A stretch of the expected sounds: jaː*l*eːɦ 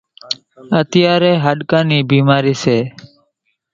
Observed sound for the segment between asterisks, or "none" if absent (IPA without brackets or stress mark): ɾ